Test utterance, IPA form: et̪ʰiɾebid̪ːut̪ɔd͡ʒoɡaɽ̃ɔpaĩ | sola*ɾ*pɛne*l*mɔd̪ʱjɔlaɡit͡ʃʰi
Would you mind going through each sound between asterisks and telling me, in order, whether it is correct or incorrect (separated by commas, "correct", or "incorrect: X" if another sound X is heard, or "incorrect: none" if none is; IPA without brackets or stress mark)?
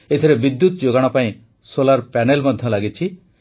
correct, correct